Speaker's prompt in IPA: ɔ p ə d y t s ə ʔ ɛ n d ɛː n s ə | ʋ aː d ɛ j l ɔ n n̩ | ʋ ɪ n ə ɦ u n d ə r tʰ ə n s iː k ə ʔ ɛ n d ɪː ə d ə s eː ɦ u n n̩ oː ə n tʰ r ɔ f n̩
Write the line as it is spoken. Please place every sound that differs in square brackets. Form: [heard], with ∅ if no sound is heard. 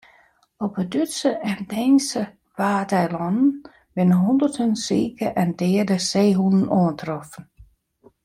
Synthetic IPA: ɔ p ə d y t s ə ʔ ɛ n d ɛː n s ə | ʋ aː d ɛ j l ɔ n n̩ | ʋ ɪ n ə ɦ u n d ə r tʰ ə n s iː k ə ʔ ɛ n d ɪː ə d ə s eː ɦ u n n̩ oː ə n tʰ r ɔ f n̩